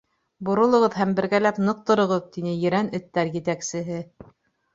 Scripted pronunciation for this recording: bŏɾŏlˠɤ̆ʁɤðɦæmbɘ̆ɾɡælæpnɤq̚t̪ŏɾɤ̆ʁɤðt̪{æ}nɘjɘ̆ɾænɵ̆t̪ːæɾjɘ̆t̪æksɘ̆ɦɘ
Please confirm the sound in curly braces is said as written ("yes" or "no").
no